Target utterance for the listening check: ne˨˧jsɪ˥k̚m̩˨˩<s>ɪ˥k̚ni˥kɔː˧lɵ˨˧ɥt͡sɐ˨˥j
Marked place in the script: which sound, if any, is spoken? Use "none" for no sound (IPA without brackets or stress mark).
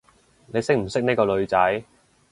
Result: s